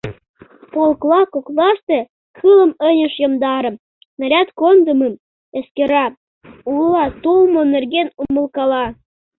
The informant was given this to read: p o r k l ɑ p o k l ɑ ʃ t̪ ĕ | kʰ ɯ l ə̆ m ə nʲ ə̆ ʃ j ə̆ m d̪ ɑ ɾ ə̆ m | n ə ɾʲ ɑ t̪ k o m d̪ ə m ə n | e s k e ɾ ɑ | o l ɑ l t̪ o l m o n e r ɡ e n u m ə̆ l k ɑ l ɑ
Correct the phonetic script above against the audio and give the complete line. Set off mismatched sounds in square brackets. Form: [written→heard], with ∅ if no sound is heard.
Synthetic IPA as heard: p o [r→l] k l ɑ [p→k] o k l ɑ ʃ t̪ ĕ | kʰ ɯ l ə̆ m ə nʲ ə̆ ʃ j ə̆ m d̪ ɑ ɾ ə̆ m | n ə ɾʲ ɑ t̪ k o [m→n] d̪ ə m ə [n→m] | e s k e ɾ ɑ | [o→u] l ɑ [l→∅] t̪ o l m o n e r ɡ e n u m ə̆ l k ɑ l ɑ

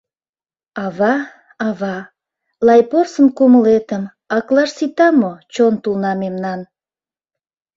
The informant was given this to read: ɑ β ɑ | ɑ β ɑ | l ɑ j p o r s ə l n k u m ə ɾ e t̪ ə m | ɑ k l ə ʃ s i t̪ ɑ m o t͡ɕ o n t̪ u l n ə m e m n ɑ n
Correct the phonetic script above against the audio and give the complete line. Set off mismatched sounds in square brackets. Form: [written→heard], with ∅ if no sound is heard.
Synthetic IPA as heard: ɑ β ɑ | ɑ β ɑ | l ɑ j p o r s ə [l→∅] n k u m ə [ɾ→l] e t̪ ə m | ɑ k l [ə→ɑ] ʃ s i t̪ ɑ m o t͡ɕ o n t̪ u l n [ə→ɑ] m e m n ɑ n

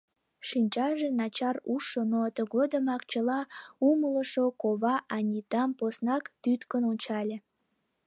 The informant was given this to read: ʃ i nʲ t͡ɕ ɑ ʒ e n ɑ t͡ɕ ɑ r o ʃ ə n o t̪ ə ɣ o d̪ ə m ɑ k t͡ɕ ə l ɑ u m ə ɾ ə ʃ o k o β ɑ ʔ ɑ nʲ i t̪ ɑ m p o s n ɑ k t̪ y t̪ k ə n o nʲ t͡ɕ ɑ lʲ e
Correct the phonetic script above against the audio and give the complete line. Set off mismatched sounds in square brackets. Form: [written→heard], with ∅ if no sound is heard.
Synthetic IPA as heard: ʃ i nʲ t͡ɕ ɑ ʒ e n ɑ t͡ɕ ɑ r [o→u] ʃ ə n o t̪ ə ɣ o d̪ ə m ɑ k t͡ɕ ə l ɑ u m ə [ɾ→l] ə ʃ o k o β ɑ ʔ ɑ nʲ i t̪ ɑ m p o s n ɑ k t̪ y t̪ k ə n o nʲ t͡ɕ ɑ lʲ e

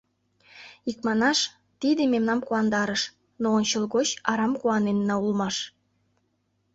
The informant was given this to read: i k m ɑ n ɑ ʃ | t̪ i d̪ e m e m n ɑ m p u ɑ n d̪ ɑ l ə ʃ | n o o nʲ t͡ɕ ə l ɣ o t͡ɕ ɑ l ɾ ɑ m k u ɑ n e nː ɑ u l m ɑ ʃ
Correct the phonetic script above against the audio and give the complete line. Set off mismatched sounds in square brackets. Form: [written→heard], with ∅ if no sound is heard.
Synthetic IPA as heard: i k m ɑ n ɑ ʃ | t̪ i d̪ e m e m n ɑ m [p→k] u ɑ n d̪ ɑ [l→ɾ] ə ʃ | n o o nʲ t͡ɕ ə l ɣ o t͡ɕ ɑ [l→∅] ɾ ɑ m k u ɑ n e nː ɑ u l m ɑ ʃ

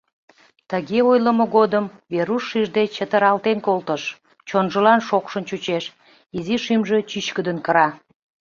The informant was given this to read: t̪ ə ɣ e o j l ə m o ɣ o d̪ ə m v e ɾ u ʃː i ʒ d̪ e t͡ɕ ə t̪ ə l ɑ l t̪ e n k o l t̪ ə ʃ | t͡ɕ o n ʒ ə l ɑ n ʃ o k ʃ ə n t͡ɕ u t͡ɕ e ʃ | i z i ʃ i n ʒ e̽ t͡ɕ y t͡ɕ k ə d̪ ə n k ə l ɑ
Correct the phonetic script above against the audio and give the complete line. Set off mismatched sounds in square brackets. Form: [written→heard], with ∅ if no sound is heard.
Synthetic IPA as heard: t̪ ə ɣ e o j l ə m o ɣ o d̪ ə m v e ɾ u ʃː i ʒ d̪ e t͡ɕ ə t̪ ə [l→ɾ] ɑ l t̪ e n k o l t̪ ə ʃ | t͡ɕ o n ʒ ə l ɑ n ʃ o k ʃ ə n t͡ɕ u t͡ɕ e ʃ | i z i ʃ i [n→m] ʒ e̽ t͡ɕ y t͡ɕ k ə d̪ ə n k ə [l→ɾ] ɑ

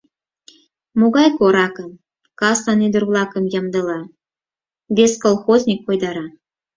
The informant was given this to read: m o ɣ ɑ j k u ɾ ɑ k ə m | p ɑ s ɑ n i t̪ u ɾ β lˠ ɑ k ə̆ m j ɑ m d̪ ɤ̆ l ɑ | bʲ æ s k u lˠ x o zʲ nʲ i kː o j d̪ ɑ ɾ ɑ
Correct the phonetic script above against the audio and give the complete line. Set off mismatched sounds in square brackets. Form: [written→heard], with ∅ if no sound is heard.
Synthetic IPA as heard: m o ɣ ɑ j k [u→o] ɾ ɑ k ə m | [p→k] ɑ s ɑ n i [t̪→d̪] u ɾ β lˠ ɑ k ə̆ m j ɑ m d̪ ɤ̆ l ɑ | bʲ [æ→e] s k [u→o] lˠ x o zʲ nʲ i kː o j d̪ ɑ ɾ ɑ

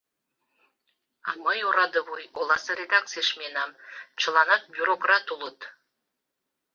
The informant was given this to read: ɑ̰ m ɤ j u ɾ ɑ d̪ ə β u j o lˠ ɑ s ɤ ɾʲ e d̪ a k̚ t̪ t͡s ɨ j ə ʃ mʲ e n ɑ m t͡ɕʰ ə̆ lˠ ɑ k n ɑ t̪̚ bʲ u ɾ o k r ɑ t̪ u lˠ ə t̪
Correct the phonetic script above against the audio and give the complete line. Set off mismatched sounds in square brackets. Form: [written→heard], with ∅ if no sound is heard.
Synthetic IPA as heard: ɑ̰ m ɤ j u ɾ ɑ d̪ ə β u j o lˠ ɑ s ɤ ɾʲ e d̪ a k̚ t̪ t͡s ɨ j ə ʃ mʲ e n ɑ m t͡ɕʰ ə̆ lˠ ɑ [k→∅] n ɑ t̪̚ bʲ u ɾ o k r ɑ t̪ u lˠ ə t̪

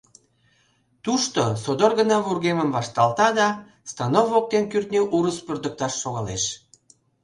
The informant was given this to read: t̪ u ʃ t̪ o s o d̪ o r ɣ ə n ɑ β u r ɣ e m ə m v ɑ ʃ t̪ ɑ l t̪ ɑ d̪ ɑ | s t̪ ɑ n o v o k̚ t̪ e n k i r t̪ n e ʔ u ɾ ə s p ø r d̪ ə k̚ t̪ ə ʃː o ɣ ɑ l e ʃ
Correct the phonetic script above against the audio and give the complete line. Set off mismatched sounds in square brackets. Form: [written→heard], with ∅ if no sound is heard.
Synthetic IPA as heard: t̪ u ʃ t̪ o s o d̪ o r ɣ ə n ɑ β u r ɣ e m ə m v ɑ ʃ t̪ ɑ l t̪ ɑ d̪ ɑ | s t̪ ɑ n o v o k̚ t̪ e n k [i→y] r t̪ n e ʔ u ɾ ə s p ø r d̪ ə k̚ t̪ [ə→ɑ] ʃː o ɣ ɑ l e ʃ

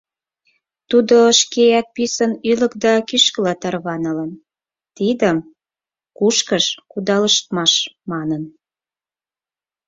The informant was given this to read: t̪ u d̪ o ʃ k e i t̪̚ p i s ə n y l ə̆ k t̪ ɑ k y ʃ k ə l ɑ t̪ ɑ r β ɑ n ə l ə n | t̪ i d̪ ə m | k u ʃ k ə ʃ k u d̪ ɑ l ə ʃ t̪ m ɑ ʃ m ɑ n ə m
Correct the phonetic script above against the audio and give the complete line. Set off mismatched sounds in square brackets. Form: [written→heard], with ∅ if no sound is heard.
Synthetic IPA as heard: t̪ u d̪ o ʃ k e [i→æ] t̪̚ p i s ə n y l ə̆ k [t̪→d̪] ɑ k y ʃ k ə l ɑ t̪ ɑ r β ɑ n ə l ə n | t̪ i d̪ ə m | k u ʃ k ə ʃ k u d̪ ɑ l ə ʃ t̪ m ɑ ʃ m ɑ n ə [m→n]

